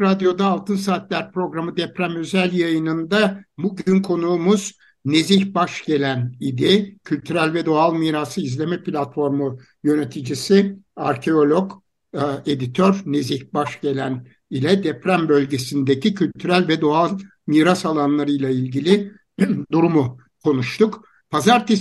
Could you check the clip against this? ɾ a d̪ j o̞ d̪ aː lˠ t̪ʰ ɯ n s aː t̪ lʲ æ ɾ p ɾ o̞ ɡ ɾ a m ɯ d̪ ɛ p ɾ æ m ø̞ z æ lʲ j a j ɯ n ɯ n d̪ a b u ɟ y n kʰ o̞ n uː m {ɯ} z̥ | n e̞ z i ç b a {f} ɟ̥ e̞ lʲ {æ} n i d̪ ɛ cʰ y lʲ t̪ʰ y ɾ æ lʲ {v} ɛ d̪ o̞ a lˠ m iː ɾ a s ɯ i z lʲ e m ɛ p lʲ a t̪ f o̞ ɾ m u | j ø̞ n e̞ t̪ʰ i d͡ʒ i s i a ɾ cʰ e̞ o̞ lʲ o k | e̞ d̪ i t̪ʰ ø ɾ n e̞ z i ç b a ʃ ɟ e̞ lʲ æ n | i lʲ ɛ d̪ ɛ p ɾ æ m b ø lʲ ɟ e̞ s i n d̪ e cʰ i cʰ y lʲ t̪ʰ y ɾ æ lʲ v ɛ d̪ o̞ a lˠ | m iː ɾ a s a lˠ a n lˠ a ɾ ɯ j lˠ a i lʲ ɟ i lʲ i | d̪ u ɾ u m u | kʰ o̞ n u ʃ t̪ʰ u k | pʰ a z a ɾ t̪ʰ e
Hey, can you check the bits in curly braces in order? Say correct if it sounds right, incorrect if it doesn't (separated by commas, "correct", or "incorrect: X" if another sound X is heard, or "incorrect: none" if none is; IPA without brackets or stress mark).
incorrect: u, incorrect: ʃ, correct, correct